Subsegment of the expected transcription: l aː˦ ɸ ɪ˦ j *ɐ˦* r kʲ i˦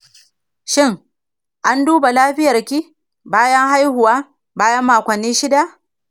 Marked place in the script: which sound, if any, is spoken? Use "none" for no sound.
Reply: ɐ˨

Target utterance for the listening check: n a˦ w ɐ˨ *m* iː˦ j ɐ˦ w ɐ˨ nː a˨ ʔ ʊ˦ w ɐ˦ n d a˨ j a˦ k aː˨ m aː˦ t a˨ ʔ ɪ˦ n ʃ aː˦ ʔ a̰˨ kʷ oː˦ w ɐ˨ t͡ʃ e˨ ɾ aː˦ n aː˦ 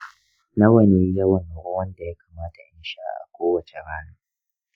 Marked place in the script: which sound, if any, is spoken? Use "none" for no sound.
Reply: n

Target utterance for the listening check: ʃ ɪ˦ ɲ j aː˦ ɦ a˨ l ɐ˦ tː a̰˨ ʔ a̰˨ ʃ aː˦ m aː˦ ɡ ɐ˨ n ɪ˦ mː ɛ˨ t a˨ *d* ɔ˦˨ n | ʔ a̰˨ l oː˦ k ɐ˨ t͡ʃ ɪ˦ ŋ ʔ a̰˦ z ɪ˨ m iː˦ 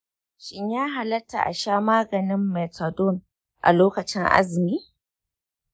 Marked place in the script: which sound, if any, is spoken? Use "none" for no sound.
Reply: d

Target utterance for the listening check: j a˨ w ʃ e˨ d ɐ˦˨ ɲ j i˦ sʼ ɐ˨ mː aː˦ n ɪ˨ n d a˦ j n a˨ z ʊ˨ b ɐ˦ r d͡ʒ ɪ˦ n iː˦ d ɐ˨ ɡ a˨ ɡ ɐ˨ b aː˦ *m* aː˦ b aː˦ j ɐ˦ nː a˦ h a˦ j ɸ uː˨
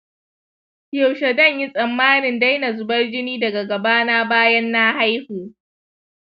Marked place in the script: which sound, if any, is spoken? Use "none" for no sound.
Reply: n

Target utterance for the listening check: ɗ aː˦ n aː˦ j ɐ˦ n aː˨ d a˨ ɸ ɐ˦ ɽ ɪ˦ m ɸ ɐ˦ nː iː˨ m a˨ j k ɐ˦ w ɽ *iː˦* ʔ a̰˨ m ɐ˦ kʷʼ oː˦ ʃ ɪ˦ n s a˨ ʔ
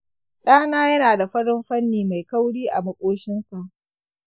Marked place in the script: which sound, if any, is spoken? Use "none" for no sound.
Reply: iː˦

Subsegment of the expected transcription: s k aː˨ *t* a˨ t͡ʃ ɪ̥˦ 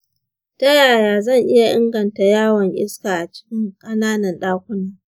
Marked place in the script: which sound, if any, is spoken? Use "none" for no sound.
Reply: ʔ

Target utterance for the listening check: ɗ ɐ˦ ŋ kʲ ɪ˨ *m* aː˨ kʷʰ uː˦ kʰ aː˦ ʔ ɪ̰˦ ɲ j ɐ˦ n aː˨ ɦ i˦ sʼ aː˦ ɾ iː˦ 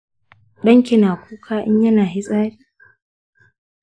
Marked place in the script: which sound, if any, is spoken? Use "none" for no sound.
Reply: n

